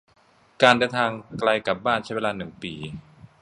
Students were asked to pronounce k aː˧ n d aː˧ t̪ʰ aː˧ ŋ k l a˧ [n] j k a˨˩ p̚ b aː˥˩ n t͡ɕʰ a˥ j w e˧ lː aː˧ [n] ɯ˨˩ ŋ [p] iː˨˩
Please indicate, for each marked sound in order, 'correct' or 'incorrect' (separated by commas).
incorrect, correct, correct